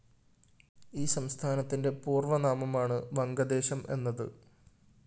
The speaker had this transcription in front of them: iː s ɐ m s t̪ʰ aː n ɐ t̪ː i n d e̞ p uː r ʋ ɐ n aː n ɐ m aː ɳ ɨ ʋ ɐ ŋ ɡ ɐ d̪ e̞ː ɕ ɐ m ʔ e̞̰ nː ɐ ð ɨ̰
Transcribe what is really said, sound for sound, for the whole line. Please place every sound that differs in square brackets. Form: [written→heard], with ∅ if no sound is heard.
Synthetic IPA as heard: iː s ɐ m s t̪ʰ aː n ɐ t̪ː i n d e̞ p uː r ʋ ɐ n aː [n→m] ɐ m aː ɳ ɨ ʋ ɐ ŋ ɡ ɐ d̪ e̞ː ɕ ɐ m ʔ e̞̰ nː ɐ ð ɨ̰